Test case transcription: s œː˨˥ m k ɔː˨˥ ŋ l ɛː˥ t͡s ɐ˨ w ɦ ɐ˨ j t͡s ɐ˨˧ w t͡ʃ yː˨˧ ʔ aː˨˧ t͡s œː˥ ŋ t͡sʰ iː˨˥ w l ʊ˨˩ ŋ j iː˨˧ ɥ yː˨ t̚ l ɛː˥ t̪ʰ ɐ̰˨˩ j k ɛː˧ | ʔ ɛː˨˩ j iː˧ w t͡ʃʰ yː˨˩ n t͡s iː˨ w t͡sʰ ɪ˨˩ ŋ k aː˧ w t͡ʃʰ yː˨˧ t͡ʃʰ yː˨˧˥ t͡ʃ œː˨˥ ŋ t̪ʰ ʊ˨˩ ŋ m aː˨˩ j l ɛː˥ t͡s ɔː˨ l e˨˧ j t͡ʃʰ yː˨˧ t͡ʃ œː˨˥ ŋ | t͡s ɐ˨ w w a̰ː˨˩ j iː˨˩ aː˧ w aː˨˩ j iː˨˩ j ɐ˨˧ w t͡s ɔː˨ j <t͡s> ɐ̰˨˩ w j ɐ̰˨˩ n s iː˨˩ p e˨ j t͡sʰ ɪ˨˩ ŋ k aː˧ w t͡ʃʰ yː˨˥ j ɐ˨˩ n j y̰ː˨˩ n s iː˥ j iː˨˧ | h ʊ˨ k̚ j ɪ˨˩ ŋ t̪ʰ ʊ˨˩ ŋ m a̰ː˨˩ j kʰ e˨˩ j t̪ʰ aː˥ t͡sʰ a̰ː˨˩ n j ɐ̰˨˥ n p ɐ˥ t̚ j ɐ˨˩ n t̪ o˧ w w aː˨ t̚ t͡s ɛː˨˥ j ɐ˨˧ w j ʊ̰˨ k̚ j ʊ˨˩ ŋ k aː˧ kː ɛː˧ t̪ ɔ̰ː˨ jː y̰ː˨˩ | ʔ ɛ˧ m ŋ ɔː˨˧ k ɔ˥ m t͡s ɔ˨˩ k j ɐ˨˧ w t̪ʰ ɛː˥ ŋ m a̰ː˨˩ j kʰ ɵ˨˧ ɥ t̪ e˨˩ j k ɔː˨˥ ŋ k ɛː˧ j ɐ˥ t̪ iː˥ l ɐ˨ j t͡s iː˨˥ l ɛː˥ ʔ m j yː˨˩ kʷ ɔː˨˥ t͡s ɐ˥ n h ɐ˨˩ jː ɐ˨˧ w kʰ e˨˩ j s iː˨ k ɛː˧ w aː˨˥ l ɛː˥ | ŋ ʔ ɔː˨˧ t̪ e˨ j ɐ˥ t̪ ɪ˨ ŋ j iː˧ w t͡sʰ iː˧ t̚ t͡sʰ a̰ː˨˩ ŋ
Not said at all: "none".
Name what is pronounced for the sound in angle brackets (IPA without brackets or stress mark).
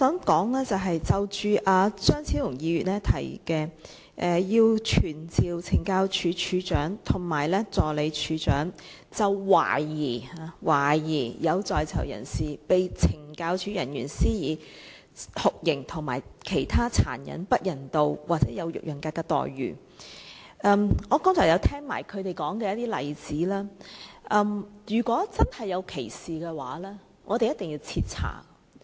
t͡sʰ